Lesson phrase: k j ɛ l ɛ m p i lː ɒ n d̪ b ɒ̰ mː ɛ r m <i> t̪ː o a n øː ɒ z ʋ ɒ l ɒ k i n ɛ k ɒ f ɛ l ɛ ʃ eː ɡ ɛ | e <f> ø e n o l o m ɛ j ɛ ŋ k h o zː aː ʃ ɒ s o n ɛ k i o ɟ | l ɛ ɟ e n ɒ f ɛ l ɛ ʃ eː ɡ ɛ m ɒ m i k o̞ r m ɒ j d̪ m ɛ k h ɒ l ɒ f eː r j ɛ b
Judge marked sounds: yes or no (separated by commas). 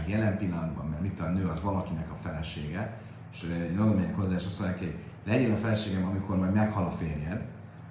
yes, no